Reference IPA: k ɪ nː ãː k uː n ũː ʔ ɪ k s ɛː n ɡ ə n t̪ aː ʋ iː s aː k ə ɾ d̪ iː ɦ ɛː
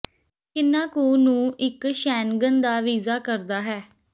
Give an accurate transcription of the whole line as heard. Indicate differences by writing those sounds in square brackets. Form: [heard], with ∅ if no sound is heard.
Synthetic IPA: k ɪ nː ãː k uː n ũː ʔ ɪ k [ʃ] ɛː n ɡ ə n [d̪] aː ʋ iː [z] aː k ə ɾ d̪ [aː] ɦ ɛː